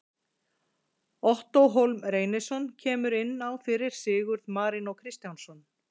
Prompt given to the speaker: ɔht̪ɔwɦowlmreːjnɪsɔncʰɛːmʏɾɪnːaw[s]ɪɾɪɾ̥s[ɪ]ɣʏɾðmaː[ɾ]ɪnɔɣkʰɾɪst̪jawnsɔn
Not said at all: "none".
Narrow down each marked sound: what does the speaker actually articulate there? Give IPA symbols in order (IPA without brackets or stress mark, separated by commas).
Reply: f, ɪː, ɾ